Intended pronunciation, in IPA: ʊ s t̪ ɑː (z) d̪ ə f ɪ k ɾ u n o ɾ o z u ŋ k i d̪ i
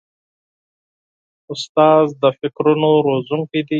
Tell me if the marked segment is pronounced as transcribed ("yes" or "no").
yes